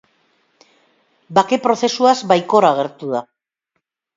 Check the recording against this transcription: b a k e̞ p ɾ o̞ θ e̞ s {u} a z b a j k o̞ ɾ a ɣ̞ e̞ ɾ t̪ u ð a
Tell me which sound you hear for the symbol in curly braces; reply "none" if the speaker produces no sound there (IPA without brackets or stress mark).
u